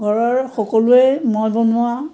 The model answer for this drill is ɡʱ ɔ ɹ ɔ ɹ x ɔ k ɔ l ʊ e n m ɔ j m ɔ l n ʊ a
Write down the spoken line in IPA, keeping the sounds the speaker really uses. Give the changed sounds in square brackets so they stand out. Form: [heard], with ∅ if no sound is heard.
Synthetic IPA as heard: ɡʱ ɔ ɹ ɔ ɹ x ɔ k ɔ l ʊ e [∅] m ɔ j [b] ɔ [∅] n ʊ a